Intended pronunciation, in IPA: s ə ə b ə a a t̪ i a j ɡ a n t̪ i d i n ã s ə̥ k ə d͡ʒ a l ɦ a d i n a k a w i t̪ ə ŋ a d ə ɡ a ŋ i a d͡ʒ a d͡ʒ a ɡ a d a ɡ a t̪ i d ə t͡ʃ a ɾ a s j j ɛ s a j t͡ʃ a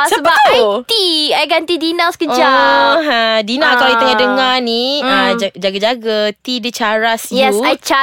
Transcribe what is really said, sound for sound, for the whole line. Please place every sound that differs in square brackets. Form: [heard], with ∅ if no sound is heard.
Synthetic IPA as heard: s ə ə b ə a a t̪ i a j ɡ a n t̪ i d i n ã s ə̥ k ə d͡ʒ a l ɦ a d i n a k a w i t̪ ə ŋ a d ə [ŋ] a [n] i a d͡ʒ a d͡ʒ a ɡ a [d͡ʒ] a ɡ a t̪ i d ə t͡ʃ a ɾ a s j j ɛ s a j t͡ʃ a